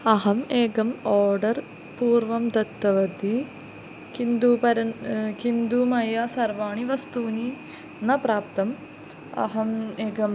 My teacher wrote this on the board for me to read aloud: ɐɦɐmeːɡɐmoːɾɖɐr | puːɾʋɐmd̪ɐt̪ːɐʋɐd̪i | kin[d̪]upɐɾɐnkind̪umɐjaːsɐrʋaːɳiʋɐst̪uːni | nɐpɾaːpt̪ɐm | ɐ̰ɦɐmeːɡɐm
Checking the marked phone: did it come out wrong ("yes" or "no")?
no